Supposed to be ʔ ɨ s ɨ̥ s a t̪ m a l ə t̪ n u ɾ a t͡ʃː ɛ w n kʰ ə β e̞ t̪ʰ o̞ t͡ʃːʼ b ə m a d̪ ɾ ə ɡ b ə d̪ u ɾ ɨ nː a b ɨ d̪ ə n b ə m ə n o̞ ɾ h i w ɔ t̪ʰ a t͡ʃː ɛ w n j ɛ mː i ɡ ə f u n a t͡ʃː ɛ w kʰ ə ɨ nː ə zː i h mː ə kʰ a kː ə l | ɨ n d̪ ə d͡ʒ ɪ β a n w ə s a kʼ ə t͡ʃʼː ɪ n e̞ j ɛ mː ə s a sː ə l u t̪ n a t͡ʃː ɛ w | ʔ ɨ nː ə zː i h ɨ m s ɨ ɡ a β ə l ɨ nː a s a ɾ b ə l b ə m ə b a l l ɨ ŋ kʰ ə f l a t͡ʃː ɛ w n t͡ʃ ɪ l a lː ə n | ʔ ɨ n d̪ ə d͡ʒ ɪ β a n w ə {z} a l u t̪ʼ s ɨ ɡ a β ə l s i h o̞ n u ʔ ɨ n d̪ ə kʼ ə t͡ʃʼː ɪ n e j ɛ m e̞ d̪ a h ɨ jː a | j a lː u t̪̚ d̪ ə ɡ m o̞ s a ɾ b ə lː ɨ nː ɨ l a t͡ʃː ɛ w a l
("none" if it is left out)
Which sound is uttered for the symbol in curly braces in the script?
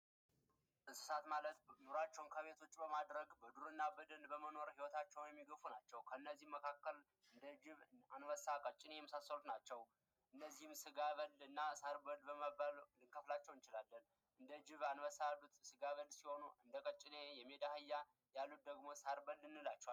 s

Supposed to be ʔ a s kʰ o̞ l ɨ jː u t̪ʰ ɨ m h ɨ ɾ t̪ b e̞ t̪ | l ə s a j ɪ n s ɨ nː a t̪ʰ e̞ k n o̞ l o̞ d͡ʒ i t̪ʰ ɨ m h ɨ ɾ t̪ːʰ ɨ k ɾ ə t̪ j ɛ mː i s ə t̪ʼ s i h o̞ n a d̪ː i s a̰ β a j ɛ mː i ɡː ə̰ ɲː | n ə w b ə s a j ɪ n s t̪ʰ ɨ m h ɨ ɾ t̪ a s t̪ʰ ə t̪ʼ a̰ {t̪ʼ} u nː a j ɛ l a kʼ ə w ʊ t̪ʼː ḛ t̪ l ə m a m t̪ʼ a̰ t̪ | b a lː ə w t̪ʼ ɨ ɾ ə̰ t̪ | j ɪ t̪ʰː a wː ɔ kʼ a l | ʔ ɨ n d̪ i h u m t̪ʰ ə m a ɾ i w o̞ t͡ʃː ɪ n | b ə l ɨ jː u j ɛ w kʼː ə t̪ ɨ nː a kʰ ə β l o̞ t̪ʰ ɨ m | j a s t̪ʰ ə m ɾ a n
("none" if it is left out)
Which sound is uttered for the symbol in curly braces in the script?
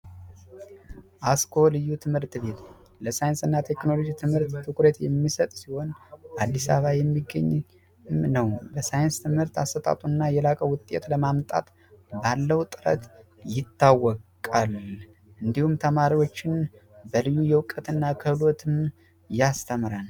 t̪ʼ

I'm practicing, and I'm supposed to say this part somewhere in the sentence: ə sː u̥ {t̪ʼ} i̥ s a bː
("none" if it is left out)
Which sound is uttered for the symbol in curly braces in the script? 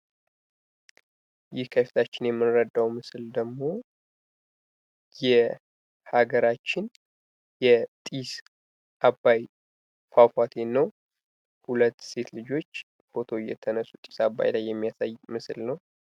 t̪ʼ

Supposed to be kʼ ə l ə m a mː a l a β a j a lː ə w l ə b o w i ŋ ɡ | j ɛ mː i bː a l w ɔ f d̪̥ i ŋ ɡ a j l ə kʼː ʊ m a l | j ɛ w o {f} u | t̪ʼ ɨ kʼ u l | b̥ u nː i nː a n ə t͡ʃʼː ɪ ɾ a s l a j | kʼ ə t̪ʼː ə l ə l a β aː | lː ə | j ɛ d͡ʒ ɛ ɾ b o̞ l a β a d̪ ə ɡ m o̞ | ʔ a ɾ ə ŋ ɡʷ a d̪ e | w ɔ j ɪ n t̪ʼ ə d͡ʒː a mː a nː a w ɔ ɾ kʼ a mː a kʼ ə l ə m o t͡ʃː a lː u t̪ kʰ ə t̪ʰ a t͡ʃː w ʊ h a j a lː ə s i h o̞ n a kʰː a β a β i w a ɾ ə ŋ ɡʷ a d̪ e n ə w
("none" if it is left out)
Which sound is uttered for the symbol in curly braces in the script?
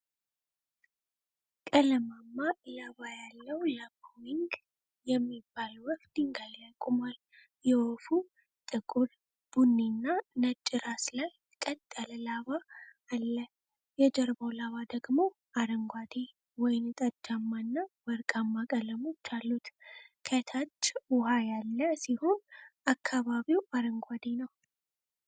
f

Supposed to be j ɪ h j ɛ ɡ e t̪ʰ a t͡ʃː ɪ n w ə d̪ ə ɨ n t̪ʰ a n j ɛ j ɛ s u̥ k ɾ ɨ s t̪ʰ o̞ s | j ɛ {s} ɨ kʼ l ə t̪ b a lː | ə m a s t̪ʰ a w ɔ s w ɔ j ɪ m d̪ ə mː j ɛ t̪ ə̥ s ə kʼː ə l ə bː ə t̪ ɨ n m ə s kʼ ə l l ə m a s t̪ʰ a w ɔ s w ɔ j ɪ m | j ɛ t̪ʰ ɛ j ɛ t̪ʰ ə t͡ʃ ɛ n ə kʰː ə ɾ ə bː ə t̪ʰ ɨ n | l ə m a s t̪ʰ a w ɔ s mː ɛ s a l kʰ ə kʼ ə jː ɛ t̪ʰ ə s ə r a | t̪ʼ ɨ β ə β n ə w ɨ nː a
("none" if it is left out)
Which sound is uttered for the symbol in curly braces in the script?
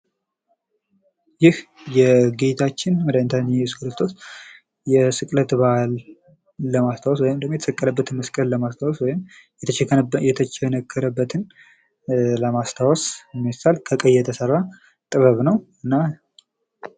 s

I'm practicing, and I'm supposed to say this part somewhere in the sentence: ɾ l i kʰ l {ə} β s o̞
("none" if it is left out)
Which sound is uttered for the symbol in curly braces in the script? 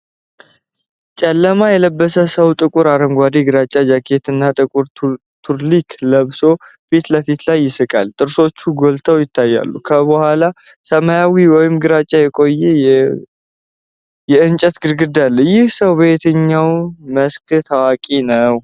ə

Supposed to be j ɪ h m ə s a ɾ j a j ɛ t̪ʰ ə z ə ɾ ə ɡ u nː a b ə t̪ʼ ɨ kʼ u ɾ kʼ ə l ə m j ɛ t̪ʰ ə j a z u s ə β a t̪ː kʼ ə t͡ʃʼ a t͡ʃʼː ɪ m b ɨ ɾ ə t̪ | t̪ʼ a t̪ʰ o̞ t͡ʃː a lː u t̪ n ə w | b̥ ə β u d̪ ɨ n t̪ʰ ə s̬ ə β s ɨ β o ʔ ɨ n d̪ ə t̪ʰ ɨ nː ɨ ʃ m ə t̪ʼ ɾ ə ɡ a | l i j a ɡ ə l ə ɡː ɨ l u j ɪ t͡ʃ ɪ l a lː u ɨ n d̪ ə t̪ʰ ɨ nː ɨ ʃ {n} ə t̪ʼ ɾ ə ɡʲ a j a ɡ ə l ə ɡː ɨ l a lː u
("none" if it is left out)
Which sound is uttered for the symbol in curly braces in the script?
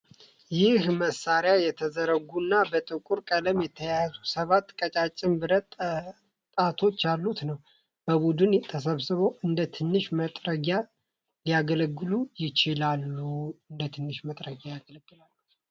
m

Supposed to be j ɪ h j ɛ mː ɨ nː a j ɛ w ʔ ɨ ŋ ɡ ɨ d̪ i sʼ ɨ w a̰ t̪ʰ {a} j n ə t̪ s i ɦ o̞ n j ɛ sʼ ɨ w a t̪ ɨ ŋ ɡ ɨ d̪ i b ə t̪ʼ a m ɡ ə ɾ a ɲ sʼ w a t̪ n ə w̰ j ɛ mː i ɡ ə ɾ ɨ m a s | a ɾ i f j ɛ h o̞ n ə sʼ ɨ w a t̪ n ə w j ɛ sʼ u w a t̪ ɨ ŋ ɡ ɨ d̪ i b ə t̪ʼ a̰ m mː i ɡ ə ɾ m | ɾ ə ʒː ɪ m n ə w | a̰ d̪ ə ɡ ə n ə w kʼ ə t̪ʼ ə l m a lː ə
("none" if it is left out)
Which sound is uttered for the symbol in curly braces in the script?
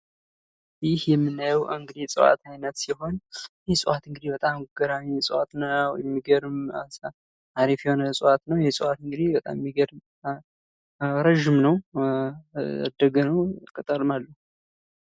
a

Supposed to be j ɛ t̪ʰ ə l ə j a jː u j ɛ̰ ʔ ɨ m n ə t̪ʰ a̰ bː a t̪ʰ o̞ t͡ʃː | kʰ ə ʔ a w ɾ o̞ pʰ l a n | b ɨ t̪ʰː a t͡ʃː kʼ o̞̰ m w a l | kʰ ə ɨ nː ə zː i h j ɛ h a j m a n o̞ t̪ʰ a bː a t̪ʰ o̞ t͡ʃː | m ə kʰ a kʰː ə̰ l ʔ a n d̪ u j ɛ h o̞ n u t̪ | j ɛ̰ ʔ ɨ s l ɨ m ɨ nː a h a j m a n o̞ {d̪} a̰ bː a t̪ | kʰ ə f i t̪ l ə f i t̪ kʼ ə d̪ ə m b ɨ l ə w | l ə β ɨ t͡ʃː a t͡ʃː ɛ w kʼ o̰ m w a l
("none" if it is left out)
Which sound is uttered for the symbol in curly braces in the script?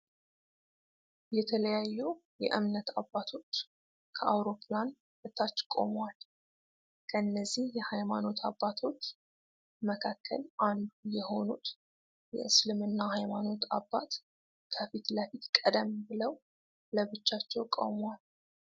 t̪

